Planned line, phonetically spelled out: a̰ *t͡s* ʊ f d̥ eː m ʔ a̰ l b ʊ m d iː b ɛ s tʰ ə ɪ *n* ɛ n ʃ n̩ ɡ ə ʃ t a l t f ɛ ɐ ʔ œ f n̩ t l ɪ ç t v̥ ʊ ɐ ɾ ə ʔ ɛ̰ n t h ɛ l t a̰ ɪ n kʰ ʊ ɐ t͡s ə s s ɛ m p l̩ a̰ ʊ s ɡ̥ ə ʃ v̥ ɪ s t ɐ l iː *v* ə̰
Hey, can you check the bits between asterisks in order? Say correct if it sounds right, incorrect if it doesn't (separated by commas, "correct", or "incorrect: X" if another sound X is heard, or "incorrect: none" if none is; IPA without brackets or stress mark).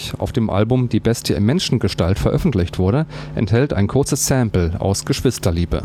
incorrect: none, incorrect: m, incorrect: b